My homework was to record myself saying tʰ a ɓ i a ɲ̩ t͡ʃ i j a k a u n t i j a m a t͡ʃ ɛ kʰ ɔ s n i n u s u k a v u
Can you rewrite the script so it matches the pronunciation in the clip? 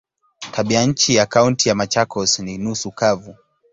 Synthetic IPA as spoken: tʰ a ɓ i a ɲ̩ t͡ʃ i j a k a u n t i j a m a t͡ʃ a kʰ ɔ s n i n u s u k a v u